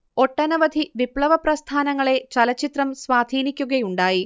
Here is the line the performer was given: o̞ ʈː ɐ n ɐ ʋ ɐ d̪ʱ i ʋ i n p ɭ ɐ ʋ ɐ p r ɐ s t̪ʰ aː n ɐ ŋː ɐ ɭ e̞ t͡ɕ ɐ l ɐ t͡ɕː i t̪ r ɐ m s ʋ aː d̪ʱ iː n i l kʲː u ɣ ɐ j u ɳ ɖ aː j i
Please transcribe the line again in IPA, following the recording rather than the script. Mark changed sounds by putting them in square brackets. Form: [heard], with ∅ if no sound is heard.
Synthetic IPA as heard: o̞ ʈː ɐ n ɐ ʋ ɐ d̪ʱ i ʋ i [∅] p ɭ ɐ ʋ ɐ p r ɐ s t̪ʰ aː n ɐ ŋː ɐ ɭ e̞ t͡ɕ ɐ l ɐ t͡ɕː i t̪ r ɐ m s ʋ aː d̪ʱ iː n i [∅] kʲː u ɣ ɐ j u ɳ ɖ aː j i